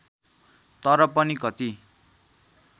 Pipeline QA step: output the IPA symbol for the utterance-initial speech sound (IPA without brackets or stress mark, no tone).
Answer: t̪